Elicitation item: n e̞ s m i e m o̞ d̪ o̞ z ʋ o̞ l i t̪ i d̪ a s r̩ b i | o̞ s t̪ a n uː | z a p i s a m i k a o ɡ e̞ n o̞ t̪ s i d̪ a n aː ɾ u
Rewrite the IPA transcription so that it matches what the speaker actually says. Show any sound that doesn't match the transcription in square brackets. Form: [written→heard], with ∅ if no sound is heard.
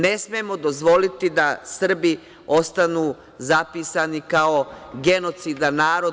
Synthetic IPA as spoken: n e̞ s m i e m o̞ d̪ o̞ z ʋ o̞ l i t̪ i d̪ a s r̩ b i | o̞ s t̪ a n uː | z a p i s a [m→n] i k a o ɡ e̞ n o̞ t̪ s i d̪ a n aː ɾ [u→o]